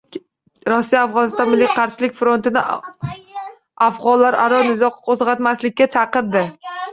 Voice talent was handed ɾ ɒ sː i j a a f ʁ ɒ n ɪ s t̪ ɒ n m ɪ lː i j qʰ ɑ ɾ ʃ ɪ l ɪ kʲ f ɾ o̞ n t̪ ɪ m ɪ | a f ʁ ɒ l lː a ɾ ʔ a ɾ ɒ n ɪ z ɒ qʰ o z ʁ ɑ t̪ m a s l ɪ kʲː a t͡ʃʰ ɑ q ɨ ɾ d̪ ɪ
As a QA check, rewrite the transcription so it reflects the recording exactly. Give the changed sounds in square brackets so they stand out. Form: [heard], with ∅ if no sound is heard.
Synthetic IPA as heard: ɾ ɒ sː i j a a f ʁ ɒ n ɪ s t̪ ɒ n m ɪ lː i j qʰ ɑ ɾ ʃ ɪ l ɪ kʲ f ɾ o̞ n t̪ ɪ [n] ɪ | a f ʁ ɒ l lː a ɾ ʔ a ɾ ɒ n ɪ z ɒ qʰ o z ʁ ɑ t̪ m a s l ɪ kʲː a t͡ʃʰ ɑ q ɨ ɾ d̪ ɪ